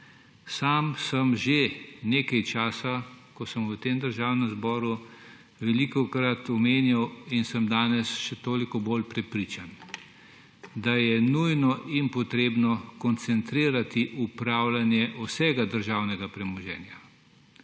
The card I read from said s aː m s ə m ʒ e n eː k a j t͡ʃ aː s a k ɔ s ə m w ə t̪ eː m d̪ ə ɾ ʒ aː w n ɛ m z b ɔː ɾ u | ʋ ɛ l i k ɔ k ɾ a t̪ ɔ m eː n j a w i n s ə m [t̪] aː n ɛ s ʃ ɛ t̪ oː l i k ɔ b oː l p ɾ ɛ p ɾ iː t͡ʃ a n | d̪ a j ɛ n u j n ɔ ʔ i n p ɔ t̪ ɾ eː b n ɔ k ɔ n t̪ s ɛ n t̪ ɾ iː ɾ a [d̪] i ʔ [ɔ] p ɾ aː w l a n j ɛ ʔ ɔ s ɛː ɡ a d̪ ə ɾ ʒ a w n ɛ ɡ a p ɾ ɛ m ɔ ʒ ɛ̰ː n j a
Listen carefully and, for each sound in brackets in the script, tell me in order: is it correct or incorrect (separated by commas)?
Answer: incorrect, incorrect, incorrect